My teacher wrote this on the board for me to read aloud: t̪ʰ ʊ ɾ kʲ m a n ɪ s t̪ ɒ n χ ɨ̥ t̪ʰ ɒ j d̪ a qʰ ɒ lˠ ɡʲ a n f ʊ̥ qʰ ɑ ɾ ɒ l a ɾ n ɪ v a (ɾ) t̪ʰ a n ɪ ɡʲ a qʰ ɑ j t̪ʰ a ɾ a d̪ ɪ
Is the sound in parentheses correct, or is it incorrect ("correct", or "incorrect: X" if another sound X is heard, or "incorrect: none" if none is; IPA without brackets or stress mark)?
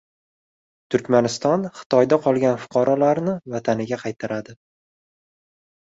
incorrect: none